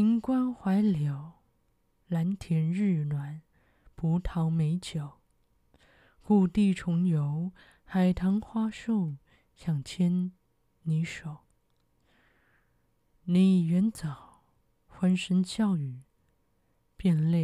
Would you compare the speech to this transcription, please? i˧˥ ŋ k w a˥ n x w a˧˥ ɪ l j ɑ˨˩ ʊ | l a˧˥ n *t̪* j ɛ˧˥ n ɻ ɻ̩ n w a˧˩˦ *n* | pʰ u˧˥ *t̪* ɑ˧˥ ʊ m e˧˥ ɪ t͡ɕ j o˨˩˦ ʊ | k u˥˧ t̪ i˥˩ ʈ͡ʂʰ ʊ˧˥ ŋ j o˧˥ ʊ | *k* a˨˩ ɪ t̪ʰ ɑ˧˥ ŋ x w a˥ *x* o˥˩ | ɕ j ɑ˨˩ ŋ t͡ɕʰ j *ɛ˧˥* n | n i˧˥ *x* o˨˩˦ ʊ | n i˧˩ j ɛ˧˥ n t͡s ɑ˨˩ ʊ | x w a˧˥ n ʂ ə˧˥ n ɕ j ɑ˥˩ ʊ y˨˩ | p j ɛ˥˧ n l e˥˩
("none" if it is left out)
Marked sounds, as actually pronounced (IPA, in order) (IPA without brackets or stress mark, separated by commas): t̪ʰ, n, t̪ʰ, x, ʂ, ɛ˥, ʂ